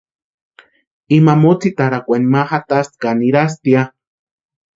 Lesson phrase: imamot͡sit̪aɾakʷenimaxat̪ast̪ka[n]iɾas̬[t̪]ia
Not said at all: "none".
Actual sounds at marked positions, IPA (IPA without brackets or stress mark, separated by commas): n, t̪